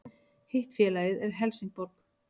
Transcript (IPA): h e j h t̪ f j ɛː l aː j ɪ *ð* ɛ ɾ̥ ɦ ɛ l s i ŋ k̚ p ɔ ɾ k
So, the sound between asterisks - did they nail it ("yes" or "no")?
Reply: yes